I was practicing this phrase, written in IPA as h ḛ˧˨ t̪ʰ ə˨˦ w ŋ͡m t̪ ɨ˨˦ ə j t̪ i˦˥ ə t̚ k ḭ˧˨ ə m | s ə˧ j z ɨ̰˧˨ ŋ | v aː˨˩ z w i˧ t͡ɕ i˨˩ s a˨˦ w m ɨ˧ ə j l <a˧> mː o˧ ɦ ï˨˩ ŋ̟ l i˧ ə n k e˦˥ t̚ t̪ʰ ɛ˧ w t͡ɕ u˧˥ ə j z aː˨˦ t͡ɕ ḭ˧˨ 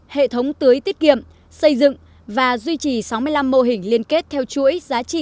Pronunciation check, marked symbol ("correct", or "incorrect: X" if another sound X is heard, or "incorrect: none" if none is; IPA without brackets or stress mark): correct